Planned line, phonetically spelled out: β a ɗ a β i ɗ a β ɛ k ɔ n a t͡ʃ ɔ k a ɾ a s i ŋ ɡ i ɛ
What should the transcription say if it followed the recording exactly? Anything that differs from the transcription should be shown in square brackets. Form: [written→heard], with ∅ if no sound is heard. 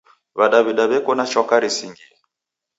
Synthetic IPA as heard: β a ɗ a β i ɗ a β ɛ k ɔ n a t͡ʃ ɔ k a ɾ [a→i] s i ŋ ɡ i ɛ